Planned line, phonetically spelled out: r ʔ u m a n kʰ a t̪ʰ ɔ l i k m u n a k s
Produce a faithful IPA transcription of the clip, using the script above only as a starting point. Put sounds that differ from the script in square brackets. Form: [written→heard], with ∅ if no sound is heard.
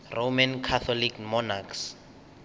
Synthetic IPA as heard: r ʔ [u→o] m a n kʰ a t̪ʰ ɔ l i k m [u→ɔ] n a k s

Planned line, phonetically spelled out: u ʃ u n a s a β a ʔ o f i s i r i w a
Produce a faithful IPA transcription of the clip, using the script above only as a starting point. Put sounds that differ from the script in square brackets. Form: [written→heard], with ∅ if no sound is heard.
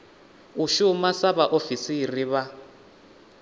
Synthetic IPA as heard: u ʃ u [n→m] a s a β a ʔ o f i s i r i [w→β] a

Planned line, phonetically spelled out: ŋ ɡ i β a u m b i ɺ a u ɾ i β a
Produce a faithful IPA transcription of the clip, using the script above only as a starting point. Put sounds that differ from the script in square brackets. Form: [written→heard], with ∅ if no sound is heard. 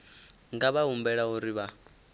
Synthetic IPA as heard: ŋ ɡ [i→a] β a u m b [i→ɛ] ɺ a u ɾ i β a

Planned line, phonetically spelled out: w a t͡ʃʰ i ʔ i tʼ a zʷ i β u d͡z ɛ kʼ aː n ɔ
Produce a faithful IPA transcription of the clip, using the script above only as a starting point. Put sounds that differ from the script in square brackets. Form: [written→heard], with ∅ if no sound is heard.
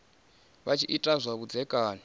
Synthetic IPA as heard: [w→β] a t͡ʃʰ i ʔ i tʼ a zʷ [i→a] β u d͡z ɛ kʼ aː n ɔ

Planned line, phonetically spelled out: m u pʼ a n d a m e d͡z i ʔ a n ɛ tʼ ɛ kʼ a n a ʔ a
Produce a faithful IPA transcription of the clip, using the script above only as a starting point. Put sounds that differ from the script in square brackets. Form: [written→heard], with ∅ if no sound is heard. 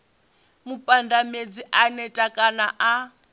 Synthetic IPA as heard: m u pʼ a n d a m e d͡z i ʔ a n ɛ tʼ [ɛ→a] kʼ a n a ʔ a

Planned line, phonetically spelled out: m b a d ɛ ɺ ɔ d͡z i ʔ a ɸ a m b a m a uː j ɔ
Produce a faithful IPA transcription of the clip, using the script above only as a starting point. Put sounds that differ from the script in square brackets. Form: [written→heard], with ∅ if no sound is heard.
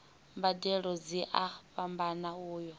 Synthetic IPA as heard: m b a d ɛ ɺ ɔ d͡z i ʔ a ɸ a m b a [m→n] a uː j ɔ

